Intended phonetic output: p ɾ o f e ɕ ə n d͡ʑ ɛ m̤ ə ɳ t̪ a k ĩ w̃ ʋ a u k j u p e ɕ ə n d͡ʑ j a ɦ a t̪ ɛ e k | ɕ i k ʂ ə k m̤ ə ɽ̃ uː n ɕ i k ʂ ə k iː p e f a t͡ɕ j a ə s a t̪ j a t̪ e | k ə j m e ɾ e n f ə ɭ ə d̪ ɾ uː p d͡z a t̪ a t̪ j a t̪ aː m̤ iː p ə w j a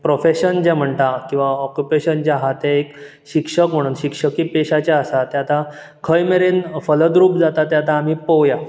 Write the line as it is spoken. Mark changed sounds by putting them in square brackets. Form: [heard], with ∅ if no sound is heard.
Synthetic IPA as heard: p ɾ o f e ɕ ə n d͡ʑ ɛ m̤ ə ɳ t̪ a k ĩ w̃ ʋ a [ɔ] k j u p e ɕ ə n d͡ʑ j a ɦ a t̪ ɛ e k | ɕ i k ʂ ə k m̤ ə ɽ̃ uː n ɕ i k ʂ ə k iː p e [ɕ] a t͡ɕ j a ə s a t̪ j a t̪ [a] | [kʰ] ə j m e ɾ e n f ə [l] ə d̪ ɾ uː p d͡z a t̪ a t̪ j a t̪ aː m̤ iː p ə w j a